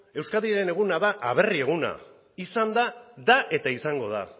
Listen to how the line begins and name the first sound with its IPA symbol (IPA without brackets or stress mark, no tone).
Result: e̞